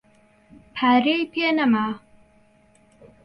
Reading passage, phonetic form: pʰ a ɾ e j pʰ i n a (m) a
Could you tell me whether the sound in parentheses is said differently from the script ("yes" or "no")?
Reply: no